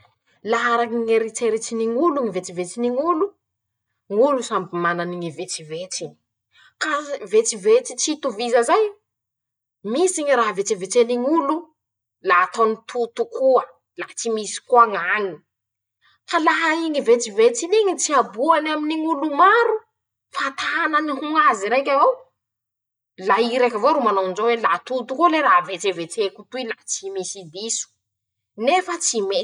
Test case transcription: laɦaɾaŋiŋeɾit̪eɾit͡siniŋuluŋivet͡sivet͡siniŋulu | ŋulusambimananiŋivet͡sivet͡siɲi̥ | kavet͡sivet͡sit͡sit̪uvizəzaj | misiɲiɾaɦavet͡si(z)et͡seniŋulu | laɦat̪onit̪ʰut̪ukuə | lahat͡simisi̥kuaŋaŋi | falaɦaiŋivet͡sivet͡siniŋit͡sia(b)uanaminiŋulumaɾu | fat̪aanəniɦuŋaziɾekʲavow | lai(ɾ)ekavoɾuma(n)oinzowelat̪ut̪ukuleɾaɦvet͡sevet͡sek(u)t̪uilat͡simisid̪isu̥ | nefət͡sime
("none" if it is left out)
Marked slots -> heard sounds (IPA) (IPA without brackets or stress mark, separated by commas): v, b, ɾ, n, u